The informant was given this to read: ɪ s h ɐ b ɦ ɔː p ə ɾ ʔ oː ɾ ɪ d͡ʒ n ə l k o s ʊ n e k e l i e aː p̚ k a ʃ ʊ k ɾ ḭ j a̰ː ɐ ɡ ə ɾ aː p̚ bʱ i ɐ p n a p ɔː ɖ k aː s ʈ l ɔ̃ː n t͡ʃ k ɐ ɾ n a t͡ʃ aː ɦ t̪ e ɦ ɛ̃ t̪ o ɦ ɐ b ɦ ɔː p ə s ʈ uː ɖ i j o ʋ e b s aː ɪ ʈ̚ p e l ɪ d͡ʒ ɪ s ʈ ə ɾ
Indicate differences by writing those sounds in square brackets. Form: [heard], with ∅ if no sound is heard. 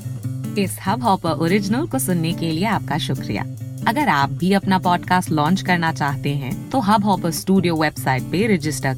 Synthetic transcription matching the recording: ɪ s h ɐ b ɦ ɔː p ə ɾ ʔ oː ɾ ɪ d͡ʒ n ə l k o s ʊ [nː] e k e l i e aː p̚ k a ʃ ʊ k ɾ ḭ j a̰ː ɐ ɡ ə ɾ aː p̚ bʱ i ɐ p n a p ɔː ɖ k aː s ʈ l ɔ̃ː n t͡ʃ k ɐ ɾ n a t͡ʃ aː ɦ t̪ e ɦ ɛ̃ t̪ o ɦ ɐ b ɦ ɔː p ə s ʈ uː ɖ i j o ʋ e b s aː ɪ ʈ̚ p e [ɾ] ɪ d͡ʒ ɪ s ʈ ə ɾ